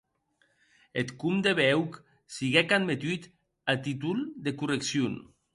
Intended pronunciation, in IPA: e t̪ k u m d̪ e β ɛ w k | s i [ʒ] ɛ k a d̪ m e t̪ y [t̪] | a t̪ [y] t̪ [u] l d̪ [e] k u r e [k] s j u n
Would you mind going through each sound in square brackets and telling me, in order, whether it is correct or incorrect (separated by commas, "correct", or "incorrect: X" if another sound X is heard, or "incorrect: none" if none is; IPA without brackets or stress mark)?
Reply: incorrect: ɣ, correct, incorrect: i, correct, correct, correct